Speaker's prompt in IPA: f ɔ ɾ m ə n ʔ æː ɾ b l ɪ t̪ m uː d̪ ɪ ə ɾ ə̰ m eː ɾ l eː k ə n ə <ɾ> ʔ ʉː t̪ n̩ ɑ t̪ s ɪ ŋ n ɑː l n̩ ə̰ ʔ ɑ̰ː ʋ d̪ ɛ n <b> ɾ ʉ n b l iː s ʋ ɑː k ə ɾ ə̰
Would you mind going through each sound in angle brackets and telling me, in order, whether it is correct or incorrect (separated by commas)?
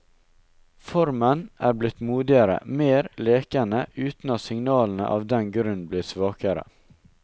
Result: incorrect, incorrect